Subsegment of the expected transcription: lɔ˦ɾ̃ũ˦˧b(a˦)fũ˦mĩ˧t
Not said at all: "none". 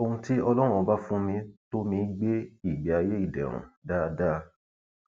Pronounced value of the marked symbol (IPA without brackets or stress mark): a˦